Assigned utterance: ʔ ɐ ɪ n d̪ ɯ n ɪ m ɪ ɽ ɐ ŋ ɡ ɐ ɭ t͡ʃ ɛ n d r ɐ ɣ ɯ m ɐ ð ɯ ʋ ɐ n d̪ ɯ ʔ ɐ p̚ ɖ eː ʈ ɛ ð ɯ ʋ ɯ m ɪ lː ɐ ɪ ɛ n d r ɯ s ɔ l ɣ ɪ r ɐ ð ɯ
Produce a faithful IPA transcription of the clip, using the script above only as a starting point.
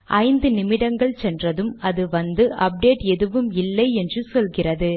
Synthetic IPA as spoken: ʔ ɐ ɪ n d̪ ɯ n ɪ m ɪ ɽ ɐ ŋ ɡ ɐ ɭ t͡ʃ ɛ n d r ɐ ð ɯ m ɐ ð ɯ ʋ ɐ n d̪ ɯ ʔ ɐ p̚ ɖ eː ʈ ɛ ð ɯ ʋ ɯ m ɪ lː ɐ ɪ ɛ n d r ɯ s ɔ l ɣ ɪ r ɐ ð ɯ